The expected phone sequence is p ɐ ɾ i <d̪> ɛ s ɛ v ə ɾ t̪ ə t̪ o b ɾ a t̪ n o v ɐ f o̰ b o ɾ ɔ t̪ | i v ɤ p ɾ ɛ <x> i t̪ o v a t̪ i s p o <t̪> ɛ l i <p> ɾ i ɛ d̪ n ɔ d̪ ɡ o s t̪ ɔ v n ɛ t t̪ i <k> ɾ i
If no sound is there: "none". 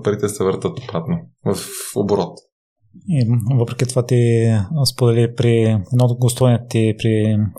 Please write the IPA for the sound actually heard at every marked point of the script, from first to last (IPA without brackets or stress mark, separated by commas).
t̪, k, d̪, p, p